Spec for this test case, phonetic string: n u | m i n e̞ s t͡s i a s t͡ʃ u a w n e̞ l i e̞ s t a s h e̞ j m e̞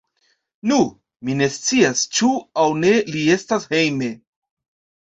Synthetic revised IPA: n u | m i n e̞ s t͡s i a s t͡ʃ u a w n e̞ l i e̞ s t a s h e̞ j m e̞